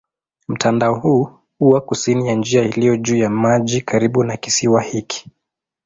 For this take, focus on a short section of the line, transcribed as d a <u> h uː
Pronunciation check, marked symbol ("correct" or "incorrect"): incorrect